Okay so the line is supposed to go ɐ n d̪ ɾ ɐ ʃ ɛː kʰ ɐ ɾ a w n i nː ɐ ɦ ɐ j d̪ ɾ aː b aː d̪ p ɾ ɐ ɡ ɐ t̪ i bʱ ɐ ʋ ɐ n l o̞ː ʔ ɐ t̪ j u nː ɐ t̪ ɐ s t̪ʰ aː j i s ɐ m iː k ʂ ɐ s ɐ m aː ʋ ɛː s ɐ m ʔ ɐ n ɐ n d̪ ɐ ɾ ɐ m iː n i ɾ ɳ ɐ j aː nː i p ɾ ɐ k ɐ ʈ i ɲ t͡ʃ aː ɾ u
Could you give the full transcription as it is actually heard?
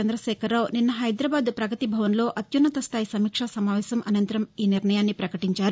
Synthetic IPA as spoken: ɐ n d̪ ɾ ɐ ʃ ɛː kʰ ɐ ɾ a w n i nː ɐ ɦ ɐ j d̪ ɾ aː b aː d̪ p ɾ ɐ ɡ ɐ t̪ i bʱ ɐ ʋ ɐ n l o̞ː ʔ ɐ t̪ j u nː ɐ t̪ ɐ s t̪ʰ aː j i s ɐ m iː k ʂ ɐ s ɐ m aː ʋ ɛː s ɐ m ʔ ɐ n ɐ n t̪ ɐ ɾ ɐ m iː n i ɾ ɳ ɐ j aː nː i p ɾ ɐ k ɐ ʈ i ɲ t͡ʃ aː ɾ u